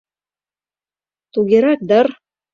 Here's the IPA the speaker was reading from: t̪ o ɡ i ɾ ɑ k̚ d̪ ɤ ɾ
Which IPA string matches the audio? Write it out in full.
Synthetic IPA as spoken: t̪ u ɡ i ɾ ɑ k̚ d̪ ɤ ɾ